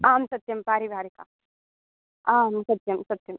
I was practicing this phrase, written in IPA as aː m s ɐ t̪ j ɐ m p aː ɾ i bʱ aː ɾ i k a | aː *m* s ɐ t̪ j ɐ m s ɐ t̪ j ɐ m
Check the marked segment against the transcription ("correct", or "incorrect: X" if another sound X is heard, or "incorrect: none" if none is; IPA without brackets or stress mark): correct